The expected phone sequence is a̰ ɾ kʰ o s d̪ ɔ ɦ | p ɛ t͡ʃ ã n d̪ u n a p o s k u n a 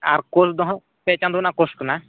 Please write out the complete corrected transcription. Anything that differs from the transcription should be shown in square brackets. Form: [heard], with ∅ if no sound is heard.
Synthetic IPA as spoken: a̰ ɾ [k] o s d̪ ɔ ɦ | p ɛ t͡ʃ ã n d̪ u n a [k] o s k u n a